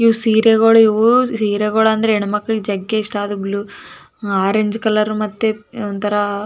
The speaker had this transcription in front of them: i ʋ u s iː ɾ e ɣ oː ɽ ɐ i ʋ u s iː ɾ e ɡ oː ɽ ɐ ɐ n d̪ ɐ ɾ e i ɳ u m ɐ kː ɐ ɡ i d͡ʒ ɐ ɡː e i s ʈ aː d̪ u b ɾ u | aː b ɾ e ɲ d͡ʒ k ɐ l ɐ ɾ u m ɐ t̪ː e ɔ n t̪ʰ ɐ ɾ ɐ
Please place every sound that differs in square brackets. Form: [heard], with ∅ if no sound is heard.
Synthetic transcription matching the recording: i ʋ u s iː ɾ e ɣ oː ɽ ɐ i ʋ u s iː ɾ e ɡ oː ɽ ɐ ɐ n d̪ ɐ ɾ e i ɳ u m ɐ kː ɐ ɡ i d͡ʒ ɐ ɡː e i [ʂ] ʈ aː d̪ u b [l] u | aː [∅] ɾ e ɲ d͡ʒ k ɐ l ɐ ɾ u m ɐ t̪ː e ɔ n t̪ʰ ɐ ɾ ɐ